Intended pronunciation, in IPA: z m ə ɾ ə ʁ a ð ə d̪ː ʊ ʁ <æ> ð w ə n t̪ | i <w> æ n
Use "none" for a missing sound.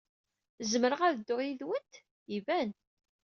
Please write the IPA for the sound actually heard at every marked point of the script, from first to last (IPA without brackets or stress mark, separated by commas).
i, v